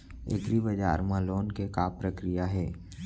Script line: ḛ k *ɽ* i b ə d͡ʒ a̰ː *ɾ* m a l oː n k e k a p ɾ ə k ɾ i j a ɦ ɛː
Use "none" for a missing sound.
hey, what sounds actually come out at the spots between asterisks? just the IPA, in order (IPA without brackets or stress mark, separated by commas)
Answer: ɾ, ɾ